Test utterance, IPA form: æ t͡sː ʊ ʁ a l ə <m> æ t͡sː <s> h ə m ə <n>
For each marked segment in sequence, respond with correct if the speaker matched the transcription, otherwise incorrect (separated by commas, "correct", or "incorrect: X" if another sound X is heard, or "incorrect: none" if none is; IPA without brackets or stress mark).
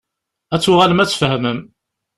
correct, incorrect: f, incorrect: m